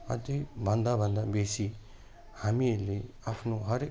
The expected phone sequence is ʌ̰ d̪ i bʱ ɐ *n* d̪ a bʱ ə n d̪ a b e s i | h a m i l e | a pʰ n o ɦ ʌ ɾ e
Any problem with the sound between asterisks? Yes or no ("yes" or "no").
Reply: no